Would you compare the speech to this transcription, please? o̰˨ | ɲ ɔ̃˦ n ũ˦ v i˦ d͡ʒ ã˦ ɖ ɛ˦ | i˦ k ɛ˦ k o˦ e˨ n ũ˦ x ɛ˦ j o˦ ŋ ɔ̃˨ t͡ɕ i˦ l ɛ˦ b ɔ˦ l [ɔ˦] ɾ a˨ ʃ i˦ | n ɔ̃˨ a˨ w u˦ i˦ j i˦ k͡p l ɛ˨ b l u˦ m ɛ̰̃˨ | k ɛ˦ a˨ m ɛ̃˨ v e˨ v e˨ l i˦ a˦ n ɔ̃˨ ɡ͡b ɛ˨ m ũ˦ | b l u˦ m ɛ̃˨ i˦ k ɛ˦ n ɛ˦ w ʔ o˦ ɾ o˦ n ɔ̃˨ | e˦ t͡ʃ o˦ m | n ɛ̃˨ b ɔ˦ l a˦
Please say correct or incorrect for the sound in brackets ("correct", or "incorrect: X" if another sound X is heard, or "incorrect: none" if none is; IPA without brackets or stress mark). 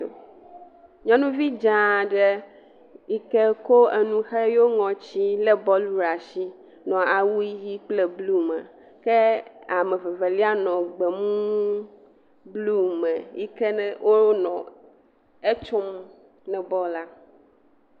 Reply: incorrect: u˦